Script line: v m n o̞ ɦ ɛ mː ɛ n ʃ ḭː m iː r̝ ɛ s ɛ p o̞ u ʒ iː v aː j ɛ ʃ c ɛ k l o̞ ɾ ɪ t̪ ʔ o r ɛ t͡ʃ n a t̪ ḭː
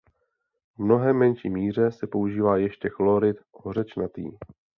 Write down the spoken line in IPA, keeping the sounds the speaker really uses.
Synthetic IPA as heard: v m n o̞ ɦ ɛ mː ɛ n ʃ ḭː m iː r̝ ɛ s ɛ p o̞ u ʒ iː v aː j ɛ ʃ c ɛ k l o̞ ɾ ɪ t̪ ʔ o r ɛ t͡ʃ n a t̪ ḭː